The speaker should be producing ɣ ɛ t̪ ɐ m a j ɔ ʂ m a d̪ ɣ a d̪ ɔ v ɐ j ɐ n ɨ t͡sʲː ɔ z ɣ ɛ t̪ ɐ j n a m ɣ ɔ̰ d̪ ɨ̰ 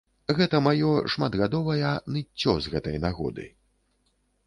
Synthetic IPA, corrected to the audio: ɣ ɛ t̪ ɐ m a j ɔ ʂ m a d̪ ɣ a d̪ ɔ v ɐ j ɐ n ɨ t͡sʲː ɔ z ɣ ɛ t̪ ɐ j n a ɣ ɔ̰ d̪ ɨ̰